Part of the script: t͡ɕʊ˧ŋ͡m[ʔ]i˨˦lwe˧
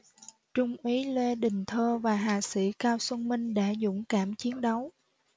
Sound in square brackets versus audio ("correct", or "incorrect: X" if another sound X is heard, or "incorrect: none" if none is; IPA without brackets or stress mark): correct